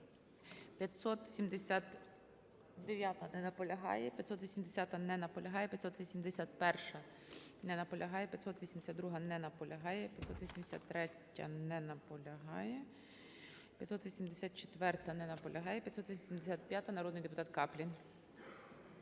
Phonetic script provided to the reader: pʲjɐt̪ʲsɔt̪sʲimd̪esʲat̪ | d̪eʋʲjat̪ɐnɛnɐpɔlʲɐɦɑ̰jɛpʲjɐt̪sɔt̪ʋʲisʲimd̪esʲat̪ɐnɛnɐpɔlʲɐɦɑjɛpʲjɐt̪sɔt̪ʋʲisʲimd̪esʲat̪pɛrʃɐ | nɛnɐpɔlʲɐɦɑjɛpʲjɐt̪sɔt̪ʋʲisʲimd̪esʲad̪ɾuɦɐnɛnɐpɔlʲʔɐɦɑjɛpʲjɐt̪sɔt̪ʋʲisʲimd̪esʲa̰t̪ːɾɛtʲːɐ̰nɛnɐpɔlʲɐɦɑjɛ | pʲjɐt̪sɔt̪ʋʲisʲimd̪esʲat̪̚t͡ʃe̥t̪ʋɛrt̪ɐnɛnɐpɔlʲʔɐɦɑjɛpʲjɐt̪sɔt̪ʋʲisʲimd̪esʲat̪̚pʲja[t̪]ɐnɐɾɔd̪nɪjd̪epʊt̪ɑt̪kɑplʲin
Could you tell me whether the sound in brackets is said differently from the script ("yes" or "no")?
no